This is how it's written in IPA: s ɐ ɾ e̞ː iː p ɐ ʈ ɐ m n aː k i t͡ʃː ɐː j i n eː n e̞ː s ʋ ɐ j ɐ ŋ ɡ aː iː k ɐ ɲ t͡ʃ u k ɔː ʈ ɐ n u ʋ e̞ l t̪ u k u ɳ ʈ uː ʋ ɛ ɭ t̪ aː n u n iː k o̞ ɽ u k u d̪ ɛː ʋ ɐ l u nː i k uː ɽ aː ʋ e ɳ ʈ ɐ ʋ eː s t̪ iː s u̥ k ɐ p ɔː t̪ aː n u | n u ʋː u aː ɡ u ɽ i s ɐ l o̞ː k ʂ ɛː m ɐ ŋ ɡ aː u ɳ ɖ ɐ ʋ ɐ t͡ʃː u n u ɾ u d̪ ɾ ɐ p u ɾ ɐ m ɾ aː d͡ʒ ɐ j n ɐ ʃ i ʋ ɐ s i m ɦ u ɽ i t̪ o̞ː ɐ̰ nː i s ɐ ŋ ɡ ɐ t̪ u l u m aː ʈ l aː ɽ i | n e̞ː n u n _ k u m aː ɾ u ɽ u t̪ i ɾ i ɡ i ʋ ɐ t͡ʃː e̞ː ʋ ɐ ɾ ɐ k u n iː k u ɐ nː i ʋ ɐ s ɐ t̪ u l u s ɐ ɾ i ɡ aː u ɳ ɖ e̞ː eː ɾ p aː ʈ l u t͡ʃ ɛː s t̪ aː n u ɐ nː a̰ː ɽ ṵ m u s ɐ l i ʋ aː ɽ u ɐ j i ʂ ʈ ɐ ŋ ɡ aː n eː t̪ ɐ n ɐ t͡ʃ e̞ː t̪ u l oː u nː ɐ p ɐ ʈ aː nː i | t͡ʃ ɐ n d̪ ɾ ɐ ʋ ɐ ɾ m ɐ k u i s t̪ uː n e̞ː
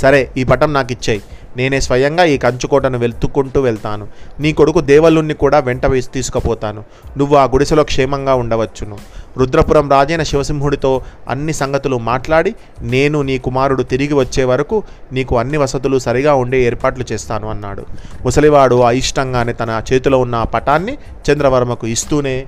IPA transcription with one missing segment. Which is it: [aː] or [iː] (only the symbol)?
iː